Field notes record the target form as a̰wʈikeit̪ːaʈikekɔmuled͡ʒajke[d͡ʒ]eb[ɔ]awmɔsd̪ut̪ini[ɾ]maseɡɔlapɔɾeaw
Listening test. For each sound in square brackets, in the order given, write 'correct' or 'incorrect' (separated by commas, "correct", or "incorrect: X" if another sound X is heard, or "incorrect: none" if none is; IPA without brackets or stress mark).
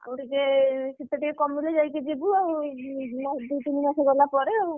correct, incorrect: u, incorrect: none